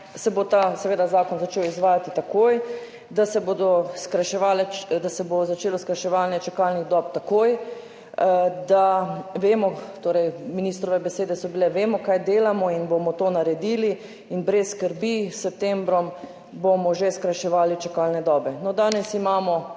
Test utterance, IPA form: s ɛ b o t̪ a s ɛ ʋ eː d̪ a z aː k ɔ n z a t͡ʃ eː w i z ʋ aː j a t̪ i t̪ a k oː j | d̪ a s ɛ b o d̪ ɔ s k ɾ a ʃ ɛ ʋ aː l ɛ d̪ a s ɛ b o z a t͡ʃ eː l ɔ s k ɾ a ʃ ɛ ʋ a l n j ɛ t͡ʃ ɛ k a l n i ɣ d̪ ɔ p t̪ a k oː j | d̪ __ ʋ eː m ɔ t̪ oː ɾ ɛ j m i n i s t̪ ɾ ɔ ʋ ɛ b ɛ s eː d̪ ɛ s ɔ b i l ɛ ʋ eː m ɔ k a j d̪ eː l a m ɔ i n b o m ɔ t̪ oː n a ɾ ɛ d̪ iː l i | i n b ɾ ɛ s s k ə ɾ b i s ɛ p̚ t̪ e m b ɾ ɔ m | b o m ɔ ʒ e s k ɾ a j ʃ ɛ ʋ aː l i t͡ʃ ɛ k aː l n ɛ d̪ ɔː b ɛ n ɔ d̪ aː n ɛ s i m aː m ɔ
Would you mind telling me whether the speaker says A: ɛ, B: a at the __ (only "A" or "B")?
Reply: B